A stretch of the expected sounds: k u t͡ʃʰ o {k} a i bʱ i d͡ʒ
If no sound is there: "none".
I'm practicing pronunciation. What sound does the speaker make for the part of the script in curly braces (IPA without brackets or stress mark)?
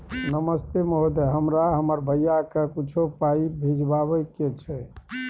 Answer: p